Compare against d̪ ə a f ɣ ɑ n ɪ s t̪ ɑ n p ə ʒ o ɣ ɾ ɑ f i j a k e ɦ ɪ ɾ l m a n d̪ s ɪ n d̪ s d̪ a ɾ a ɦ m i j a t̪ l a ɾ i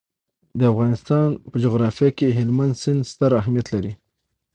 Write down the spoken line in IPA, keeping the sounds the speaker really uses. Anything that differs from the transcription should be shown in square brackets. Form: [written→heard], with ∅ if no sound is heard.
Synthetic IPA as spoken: d̪ ə a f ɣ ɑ n ɪ s t̪ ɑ n p ə [ʒ→d͡ʒ] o ɣ ɾ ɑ f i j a k e ɦ ɪ [ɾ→∅] l m a n d̪ s ɪ n d̪ s [d̪→t̪] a ɾ a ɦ m i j a t̪ l a ɾ i